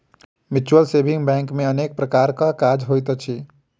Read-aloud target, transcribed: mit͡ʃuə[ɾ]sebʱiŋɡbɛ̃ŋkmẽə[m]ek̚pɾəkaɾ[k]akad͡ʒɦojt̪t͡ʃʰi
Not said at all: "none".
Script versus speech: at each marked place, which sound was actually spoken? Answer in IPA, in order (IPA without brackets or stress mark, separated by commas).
l, n, k